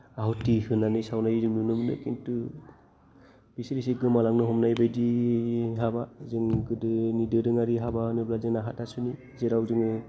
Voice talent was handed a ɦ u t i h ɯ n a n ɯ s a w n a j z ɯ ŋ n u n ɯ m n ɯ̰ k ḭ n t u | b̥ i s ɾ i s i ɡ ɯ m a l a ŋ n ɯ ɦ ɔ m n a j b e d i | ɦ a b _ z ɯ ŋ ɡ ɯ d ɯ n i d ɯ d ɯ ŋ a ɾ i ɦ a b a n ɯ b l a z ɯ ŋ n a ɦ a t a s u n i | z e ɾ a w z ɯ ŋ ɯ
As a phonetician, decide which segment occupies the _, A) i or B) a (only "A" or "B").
B